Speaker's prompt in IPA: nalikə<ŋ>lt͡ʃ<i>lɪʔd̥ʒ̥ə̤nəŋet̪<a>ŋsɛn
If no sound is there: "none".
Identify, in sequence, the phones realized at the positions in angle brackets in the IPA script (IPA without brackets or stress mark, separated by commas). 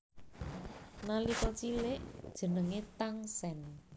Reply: none, i, a